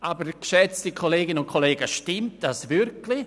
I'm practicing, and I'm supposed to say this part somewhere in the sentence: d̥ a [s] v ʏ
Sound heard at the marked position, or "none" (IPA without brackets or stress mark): s